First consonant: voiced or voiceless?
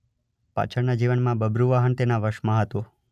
voiceless